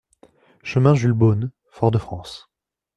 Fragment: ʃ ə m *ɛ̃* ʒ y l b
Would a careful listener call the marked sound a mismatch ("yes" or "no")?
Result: no